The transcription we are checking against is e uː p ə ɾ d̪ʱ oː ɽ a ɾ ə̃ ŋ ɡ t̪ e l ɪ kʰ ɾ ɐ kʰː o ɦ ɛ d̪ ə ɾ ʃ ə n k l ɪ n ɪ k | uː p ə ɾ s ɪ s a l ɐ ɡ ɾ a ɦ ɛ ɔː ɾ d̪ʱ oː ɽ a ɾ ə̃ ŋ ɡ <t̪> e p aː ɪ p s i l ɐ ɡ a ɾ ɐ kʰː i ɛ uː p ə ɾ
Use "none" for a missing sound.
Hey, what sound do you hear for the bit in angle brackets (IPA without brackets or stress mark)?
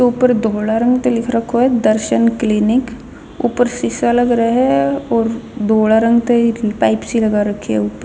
t̪